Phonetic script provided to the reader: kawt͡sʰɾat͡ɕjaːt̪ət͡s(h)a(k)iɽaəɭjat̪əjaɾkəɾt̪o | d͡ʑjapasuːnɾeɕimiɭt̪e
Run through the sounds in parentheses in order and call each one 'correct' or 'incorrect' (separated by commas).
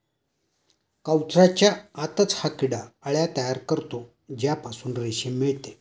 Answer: correct, correct